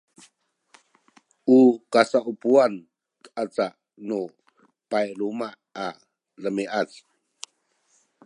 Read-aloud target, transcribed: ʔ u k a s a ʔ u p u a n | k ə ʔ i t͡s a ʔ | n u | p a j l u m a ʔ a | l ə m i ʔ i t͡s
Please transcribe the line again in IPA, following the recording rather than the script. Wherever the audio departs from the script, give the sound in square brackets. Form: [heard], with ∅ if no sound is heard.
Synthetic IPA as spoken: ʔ u k a s a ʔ u p u a n | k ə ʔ [a] t͡s a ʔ | n u | p a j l u m a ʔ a | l ə m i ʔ [a] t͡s